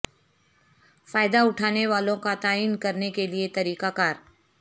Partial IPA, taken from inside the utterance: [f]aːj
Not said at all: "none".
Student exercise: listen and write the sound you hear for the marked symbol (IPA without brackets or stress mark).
f